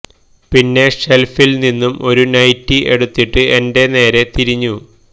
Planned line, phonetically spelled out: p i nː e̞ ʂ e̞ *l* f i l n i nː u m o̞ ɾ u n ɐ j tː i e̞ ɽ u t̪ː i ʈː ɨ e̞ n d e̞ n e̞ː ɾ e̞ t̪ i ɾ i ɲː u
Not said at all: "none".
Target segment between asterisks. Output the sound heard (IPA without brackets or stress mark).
l